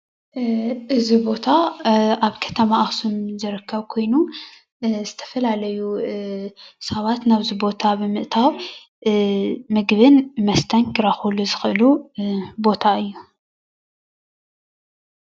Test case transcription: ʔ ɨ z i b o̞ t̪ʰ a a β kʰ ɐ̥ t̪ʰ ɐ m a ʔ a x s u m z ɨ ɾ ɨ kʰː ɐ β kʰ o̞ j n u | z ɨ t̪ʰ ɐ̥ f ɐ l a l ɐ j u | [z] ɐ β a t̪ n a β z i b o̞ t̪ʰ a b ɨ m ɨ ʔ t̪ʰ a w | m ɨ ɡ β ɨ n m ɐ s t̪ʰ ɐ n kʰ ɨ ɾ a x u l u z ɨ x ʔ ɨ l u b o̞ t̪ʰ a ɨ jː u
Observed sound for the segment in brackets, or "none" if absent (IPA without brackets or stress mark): s